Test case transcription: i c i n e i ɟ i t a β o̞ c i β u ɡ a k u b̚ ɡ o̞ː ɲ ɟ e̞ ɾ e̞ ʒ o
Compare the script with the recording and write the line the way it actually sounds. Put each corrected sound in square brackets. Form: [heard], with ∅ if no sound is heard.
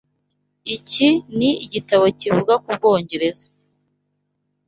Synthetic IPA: i c i n [i] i ɟ i t a β o̞ c i [v] u ɡ a k u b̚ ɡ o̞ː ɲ ɟ e̞ ɾ e̞ [z] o